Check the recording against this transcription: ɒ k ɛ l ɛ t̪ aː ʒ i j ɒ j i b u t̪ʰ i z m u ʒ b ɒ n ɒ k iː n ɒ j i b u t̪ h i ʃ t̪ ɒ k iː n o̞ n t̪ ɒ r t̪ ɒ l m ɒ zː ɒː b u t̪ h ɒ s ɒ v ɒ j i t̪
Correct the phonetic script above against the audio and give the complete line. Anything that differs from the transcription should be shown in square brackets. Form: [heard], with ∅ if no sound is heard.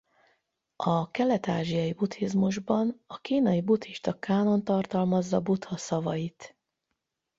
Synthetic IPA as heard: ɒ k ɛ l ɛ t̪ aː ʒ i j ɒ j i b u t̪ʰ i z m u ʒ b ɒ n ɒ k iː n ɒ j i b u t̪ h i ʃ t̪ ɒ k [aː] n o̞ n t̪ ɒ r t̪ ɒ l m ɒ zː [ɒ] b u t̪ h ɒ s ɒ v ɒ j i t̪